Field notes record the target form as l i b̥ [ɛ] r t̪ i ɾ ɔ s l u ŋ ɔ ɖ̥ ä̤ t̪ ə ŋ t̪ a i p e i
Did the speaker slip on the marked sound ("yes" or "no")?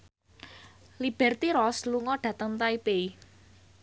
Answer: no